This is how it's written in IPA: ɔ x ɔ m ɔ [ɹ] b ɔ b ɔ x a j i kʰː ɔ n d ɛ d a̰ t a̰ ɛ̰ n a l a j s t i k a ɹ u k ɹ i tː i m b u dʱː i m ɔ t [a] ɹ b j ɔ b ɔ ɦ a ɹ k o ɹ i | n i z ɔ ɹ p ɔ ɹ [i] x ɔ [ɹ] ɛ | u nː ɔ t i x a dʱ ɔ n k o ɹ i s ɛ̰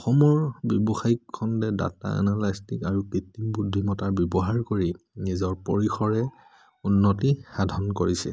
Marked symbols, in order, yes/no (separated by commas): yes, yes, yes, yes